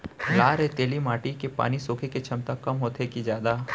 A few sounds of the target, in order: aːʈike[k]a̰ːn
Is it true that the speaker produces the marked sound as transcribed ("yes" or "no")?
no